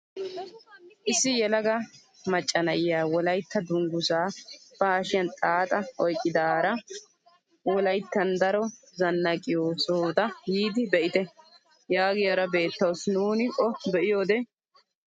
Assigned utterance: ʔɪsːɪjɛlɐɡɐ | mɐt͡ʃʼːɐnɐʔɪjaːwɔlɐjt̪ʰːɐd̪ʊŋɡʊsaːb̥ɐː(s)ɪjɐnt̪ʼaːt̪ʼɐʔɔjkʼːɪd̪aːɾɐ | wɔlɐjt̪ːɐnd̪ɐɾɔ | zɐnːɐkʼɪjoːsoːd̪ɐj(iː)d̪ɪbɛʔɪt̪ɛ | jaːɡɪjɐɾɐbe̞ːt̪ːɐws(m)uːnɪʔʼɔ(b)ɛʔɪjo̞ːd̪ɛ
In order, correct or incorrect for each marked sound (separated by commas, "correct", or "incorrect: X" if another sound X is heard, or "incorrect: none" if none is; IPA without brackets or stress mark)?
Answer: incorrect: ʃ, correct, incorrect: n, correct